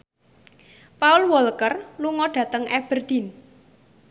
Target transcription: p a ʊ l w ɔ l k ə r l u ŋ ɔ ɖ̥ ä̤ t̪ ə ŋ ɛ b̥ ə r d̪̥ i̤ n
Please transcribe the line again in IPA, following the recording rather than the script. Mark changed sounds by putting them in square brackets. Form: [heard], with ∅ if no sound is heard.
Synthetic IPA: p a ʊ l w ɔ l k ə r l u ŋ ɔ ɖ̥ ä̤ t̪ ə ŋ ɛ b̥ ə r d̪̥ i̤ n